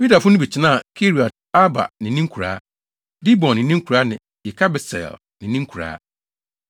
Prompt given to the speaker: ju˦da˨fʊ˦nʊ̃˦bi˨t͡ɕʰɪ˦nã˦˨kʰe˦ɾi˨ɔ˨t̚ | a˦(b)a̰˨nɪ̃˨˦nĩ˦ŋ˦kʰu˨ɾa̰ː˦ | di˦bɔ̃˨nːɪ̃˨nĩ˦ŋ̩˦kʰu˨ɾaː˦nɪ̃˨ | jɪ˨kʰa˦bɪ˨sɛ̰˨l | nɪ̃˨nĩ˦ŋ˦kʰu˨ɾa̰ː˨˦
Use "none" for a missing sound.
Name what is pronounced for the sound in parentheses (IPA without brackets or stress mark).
b